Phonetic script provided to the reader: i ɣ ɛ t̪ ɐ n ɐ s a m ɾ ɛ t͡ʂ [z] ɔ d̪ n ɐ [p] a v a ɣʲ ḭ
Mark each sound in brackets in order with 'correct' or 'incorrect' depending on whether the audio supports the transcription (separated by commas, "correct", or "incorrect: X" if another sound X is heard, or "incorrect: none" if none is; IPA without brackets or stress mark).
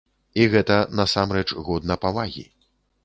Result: incorrect: ɣ, correct